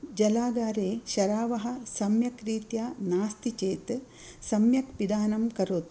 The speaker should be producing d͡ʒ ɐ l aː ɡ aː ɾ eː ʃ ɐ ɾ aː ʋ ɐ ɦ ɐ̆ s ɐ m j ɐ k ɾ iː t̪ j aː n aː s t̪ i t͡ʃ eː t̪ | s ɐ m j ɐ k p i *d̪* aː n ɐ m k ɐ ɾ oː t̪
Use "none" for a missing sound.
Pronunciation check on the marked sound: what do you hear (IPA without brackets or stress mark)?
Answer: d̪